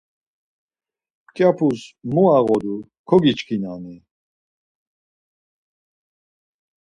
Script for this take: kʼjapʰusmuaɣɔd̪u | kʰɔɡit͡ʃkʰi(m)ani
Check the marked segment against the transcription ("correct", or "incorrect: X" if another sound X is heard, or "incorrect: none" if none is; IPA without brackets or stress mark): incorrect: n